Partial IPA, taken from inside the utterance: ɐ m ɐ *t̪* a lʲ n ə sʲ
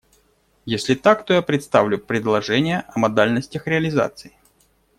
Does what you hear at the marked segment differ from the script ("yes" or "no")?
yes